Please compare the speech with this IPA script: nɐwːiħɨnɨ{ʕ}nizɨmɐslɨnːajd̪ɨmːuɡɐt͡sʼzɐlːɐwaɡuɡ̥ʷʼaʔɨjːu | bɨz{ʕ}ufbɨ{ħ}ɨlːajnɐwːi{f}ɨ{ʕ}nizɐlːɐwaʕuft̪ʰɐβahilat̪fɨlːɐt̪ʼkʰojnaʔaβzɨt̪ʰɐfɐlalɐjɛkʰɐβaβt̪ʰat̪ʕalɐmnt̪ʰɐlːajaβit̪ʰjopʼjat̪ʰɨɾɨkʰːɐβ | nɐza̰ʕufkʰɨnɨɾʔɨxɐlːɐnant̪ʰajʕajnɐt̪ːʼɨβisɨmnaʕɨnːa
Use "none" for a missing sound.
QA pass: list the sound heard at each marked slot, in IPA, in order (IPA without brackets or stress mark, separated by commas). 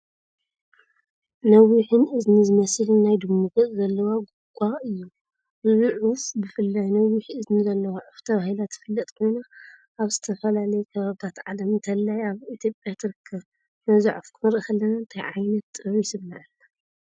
z, ʕ, f, ħ, z